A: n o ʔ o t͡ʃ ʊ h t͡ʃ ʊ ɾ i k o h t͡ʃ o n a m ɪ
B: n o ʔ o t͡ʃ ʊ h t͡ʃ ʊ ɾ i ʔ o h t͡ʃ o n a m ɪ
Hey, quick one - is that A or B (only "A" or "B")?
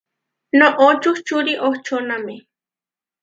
B